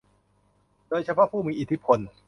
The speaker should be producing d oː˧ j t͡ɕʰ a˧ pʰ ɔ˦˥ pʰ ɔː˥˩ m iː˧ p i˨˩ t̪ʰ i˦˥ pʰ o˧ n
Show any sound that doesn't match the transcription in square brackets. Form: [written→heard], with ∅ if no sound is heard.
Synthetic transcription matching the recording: d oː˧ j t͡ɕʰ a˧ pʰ ɔ˦˥ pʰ [ɔː˥˩→uː˥˩] m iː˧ [p→ʔ] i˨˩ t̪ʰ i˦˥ pʰ o˧ n